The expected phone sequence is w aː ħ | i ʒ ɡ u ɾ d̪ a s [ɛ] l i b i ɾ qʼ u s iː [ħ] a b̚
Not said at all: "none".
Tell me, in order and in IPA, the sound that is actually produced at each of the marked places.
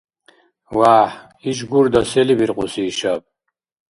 ɛ, ʃ

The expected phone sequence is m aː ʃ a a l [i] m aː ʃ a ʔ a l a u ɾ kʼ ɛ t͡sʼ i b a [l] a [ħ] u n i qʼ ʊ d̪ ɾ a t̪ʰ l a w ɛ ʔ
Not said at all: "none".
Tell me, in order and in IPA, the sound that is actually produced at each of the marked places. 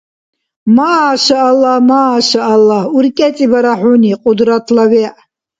a, ɾ, ħ

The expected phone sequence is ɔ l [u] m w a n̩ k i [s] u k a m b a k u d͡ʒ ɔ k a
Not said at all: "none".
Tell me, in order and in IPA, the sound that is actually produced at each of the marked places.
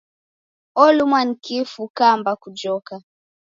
u, f

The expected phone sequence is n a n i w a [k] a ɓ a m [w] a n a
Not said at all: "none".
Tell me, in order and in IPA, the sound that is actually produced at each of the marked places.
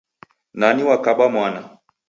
k, w

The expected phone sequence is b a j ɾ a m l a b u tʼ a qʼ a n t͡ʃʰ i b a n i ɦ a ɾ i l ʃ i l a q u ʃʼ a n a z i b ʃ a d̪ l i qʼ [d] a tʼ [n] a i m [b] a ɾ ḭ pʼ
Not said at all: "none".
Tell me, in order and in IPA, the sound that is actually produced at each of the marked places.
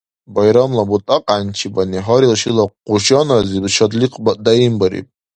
b, d, b

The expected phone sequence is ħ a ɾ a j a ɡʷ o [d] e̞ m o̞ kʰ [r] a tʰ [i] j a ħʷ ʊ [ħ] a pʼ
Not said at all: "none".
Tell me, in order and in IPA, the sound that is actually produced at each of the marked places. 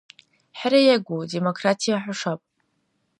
d, r, i, ʂ

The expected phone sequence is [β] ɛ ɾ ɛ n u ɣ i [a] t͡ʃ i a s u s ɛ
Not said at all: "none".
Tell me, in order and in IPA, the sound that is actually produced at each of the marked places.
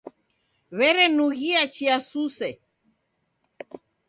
β, a

